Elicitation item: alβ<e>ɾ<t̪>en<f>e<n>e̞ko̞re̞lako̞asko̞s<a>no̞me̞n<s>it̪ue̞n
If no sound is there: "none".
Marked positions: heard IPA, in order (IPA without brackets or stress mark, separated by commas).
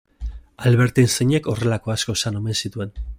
e, t̪, s, ɲ, a, s